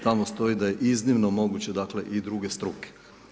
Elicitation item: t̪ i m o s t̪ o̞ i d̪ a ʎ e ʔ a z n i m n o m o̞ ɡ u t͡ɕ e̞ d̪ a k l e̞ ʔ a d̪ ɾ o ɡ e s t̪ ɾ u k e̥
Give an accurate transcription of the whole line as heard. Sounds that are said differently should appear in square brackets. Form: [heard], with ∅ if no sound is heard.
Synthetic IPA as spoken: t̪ [a] m o s t̪ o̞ i d̪ a [j] e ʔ [i] z n i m n o m o̞ ɡ u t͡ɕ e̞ d̪ a k l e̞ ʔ [i] d̪ ɾ [u] ɡ e s t̪ ɾ u k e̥